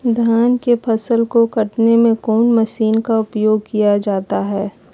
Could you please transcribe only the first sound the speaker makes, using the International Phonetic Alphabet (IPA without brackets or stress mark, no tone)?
d̪ʱ